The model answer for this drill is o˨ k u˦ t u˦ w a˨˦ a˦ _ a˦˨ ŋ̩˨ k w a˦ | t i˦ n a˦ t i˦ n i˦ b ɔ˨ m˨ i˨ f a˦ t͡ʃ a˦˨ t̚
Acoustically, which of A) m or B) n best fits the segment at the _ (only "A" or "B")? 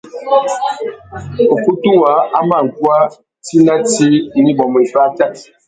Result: A